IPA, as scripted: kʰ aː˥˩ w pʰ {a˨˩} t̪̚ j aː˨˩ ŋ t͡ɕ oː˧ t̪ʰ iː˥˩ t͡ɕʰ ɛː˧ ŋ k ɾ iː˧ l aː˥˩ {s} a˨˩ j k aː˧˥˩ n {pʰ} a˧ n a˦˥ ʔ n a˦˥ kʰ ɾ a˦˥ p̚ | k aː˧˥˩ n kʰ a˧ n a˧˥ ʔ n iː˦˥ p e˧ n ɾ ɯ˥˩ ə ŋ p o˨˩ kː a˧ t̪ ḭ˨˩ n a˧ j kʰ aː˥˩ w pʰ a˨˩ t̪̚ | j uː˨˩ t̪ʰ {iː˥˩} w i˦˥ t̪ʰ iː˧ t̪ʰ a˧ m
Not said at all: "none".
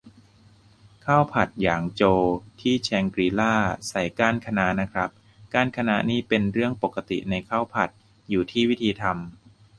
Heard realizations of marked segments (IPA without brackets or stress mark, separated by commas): a˨˩, s, kʰ, iː˥˩